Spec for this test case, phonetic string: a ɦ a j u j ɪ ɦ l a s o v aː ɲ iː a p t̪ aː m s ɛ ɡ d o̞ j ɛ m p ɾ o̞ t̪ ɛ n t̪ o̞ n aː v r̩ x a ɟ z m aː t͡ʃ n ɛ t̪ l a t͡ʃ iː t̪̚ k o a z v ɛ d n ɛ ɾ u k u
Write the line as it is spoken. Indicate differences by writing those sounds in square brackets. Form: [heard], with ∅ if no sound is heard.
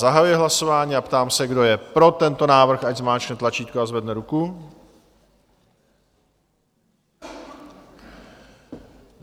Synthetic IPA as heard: a ɦ a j u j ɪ ɦ l a s o v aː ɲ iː a p t̪ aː m s ɛ ɡ d o̞ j ɛ [∅] p ɾ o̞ t̪ ɛ n t̪ o̞ n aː v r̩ x a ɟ z m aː t͡ʃ n ɛ t̪ l a t͡ʃ iː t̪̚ k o a z v ɛ d n ɛ ɾ u k u